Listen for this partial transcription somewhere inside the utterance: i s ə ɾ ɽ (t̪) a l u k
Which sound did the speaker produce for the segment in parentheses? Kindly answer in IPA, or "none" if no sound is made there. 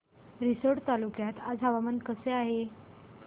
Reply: t̪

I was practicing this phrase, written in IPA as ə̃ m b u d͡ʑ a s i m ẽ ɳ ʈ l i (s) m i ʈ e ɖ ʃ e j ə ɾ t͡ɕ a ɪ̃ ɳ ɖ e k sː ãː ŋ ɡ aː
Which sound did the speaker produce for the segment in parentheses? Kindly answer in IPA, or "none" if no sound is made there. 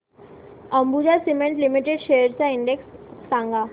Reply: none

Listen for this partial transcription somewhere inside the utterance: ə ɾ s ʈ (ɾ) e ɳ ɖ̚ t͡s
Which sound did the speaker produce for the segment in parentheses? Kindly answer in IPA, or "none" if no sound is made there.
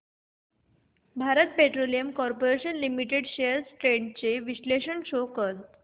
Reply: ɾ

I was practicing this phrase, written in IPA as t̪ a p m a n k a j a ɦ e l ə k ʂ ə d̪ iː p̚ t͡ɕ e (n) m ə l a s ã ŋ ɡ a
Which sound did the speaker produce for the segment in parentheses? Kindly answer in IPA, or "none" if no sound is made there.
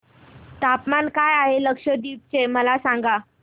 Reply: none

